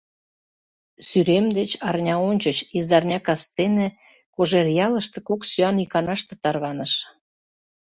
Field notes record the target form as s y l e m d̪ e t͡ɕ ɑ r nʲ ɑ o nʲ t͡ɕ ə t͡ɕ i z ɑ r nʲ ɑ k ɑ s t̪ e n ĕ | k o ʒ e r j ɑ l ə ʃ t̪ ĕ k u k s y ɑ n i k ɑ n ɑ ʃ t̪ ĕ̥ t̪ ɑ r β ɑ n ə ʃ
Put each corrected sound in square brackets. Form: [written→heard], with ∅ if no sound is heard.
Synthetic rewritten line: s y [l→ɾ] e m d̪ e t͡ɕ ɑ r nʲ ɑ o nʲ t͡ɕ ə t͡ɕ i z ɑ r nʲ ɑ k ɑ s t̪ e n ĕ | k o ʒ e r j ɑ l ə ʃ t̪ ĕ k [u→o] k s y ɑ n i k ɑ n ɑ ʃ t̪ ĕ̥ t̪ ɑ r β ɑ n ə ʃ